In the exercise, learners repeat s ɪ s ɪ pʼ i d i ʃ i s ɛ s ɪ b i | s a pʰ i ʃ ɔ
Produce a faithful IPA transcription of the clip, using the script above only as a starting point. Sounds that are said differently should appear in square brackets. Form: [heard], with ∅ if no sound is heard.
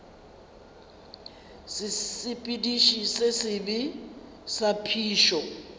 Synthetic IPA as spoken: s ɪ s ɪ pʼ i d i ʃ i s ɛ s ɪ b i | s a pʰ [iː] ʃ ɔ

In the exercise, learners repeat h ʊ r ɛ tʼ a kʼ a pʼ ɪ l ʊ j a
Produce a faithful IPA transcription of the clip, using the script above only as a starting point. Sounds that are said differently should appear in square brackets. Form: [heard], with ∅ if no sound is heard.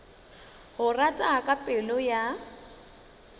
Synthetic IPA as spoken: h ʊ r [a] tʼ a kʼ a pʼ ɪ l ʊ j a

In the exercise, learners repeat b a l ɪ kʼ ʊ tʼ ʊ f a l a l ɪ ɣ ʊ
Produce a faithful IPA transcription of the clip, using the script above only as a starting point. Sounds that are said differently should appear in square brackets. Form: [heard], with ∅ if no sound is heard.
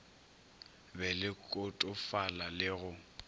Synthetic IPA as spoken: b [ɛ] l ɪ kʼ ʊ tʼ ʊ f a l a l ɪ ɣ ʊ

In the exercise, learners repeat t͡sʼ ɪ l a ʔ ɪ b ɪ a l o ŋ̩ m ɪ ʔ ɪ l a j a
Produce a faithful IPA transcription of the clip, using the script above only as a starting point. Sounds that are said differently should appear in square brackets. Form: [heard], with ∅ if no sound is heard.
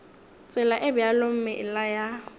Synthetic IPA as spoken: t͡sʼ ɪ l a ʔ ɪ b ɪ a l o [m̩] m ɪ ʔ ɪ l a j a

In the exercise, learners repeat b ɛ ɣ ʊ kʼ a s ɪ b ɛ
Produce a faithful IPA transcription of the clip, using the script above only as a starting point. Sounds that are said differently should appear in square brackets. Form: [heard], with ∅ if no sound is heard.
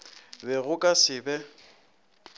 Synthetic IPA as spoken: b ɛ ɣ ʊ kʼ a s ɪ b ɛ

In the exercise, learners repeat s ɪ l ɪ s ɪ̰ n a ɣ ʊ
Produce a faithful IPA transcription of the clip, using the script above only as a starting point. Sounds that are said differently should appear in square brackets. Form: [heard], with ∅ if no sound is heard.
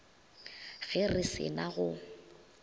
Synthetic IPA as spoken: [f] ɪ [r] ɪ s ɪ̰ n a ɣ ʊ

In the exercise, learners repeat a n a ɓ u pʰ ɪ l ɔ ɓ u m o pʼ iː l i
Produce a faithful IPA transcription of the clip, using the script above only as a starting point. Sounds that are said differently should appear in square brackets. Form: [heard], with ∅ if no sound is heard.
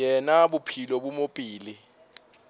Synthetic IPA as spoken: [ɛ] n a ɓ u pʰ [i] l ɔ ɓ u m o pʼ iː l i

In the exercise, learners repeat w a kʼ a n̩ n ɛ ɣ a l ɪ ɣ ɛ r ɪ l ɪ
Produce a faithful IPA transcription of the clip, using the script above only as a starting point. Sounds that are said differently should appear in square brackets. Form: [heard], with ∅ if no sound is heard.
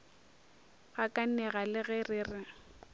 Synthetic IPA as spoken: [ɣ] a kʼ a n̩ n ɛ ɣ a l ɪ ɣ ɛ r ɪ [r] ɪ

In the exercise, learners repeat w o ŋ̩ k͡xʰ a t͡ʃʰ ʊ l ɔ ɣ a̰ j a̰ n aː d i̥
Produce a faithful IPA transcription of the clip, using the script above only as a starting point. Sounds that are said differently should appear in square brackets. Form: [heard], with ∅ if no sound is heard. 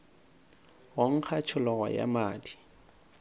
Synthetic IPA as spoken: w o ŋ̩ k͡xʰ a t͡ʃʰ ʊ l ɔ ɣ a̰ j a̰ [m] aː d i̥

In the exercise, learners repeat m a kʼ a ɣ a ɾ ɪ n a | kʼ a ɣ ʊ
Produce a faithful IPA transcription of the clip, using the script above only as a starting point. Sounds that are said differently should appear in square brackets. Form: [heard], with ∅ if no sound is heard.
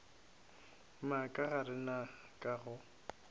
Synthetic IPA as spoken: m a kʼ a ɣ a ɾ ɪ n a | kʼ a ɣ ʊ

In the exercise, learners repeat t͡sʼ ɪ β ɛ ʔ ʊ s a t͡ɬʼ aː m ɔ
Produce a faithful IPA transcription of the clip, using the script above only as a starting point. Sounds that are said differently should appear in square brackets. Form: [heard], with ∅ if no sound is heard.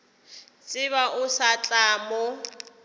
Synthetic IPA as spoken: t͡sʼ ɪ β [a] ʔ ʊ s a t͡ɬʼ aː m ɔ

